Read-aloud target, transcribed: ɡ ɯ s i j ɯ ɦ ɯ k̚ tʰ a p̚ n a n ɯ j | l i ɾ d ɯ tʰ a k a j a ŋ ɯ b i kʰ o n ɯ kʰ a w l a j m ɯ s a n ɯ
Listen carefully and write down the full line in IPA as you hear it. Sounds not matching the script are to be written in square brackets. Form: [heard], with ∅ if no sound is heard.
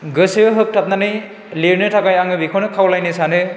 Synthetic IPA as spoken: ɡ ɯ s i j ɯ ɦ ɯ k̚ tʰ a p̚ n a n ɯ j | l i ɾ [n] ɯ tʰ a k a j a ŋ ɯ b i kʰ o n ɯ kʰ a w l a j [n] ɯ s a n ɯ